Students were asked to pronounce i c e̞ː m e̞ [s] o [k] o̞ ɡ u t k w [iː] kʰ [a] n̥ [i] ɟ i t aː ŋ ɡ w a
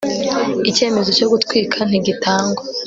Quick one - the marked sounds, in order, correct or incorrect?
incorrect, incorrect, correct, correct, correct

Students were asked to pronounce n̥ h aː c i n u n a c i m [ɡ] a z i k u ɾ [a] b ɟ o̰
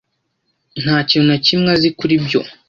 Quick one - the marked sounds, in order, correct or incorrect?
incorrect, incorrect

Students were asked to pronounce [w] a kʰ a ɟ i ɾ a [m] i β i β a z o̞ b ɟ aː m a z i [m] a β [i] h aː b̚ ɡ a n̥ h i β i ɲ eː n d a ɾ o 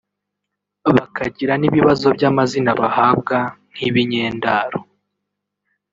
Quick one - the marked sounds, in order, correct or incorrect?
incorrect, incorrect, incorrect, incorrect

